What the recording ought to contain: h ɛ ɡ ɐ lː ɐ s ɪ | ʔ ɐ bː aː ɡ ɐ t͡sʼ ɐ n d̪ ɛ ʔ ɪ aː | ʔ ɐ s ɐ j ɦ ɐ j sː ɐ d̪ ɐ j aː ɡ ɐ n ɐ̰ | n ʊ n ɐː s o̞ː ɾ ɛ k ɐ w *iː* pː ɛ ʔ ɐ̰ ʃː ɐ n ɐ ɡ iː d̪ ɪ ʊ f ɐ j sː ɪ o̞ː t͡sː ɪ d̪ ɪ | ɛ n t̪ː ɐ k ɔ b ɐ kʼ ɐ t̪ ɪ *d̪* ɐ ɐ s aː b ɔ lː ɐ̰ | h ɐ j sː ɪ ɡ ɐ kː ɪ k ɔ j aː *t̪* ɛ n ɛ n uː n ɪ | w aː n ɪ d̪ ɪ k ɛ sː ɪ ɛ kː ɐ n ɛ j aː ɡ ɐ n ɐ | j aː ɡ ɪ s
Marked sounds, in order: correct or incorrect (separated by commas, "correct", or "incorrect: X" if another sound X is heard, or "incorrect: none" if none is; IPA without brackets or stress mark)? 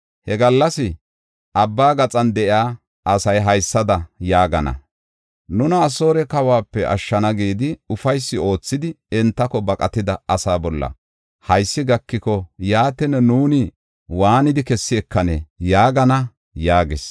incorrect: aː, correct, correct